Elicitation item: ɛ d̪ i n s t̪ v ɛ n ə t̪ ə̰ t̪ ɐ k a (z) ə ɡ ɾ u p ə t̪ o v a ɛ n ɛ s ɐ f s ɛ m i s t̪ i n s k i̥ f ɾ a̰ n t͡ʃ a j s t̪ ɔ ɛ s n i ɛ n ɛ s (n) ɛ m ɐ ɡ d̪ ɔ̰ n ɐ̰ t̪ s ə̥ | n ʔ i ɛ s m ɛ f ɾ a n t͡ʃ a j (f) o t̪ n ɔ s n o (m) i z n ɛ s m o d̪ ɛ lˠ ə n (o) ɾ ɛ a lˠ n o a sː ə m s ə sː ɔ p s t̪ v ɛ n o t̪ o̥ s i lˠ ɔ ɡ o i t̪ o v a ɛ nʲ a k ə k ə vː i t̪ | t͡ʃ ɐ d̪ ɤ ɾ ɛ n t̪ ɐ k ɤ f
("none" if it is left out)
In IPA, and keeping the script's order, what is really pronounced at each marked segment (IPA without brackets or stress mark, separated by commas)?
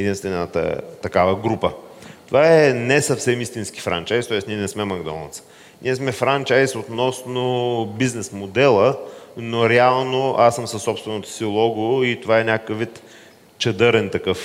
v, m, s, b, o